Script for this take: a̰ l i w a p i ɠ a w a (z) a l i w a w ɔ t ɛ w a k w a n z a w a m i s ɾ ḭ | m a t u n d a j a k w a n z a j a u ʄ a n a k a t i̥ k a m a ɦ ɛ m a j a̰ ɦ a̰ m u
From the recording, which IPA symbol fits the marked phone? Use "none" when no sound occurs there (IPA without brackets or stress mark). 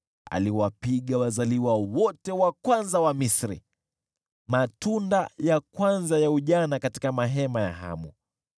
z